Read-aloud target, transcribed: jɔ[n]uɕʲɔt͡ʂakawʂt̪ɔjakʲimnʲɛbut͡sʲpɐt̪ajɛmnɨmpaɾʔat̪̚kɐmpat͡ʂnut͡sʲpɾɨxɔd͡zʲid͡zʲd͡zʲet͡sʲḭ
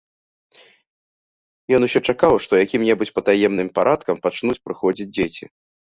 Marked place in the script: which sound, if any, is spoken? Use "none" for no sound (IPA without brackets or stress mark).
n